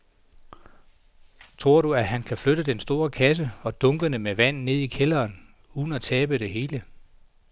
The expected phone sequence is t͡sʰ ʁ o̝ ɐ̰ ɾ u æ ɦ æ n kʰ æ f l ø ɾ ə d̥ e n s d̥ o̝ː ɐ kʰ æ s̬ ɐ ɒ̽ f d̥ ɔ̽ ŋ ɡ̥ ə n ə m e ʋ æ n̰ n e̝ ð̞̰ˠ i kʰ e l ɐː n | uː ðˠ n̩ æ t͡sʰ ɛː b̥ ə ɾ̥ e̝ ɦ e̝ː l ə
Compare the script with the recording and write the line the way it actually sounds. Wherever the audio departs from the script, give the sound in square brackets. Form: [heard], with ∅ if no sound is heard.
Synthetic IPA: t͡sʰ ʁ o̝ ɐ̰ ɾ u æ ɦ æ n kʰ æ f l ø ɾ ə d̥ e n s d̥ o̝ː ɐ kʰ æ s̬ [ə] ɒ̽ [∅] d̥ ɔ̽ ŋ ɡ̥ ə n ə m e ʋ æ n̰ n e̝ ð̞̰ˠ i kʰ e l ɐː n | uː ðˠ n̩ æ t͡sʰ ɛː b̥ ə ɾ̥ e̝ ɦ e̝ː l ə